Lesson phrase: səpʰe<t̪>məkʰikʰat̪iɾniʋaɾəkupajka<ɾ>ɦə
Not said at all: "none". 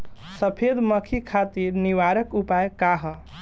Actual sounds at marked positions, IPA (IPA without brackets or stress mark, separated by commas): d̪, none